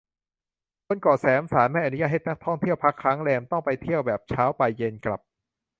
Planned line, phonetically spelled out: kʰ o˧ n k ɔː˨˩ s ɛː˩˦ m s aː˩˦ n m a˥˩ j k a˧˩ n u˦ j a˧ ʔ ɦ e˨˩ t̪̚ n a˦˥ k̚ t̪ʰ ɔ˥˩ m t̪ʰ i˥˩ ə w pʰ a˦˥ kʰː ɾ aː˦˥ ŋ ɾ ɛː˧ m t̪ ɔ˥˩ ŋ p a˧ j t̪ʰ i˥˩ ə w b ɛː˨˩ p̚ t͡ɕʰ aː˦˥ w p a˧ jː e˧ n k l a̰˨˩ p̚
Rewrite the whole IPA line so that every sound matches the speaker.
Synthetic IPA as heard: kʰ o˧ n k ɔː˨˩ s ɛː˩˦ m s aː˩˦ n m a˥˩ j ʔ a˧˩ n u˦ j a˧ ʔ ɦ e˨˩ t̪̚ n a˦˥ k̚ t̪ʰ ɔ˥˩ ŋ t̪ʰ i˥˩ ə w pʰ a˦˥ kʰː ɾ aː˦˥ ŋ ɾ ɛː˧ m t̪ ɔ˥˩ ŋ p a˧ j t̪ʰ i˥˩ ə w b ɛː˨˩ p̚ t͡ɕʰ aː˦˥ w p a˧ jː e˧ n k l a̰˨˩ p̚